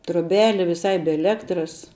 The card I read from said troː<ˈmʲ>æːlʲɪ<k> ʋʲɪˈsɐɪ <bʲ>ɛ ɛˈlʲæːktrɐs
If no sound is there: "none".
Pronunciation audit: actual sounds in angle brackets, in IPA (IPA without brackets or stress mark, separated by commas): bʲ, none, bʲ